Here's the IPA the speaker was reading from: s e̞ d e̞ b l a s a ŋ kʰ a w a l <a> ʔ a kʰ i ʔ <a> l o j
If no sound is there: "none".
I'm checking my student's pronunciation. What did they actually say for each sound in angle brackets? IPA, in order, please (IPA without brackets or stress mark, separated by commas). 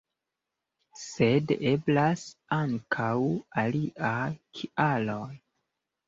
i, a